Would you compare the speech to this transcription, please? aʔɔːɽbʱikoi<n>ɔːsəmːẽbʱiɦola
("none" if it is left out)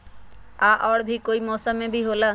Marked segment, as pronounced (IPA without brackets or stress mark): m